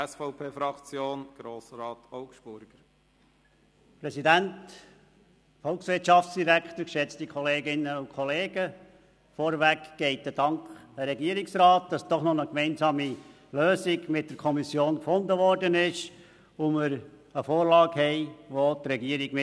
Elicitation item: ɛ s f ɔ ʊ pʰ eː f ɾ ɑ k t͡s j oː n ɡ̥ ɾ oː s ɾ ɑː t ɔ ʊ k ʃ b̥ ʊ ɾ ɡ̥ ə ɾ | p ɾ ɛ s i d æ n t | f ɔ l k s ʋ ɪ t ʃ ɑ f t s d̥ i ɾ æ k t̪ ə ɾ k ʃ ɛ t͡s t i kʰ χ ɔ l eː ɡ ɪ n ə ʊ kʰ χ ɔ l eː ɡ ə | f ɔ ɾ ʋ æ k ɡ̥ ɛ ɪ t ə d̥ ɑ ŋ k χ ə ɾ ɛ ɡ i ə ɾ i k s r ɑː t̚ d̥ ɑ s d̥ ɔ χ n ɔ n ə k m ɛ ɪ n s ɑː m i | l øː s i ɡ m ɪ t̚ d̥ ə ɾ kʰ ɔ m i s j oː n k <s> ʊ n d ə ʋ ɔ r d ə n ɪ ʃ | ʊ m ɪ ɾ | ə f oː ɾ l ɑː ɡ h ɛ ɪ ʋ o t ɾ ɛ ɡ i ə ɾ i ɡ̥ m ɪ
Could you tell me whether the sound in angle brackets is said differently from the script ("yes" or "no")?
yes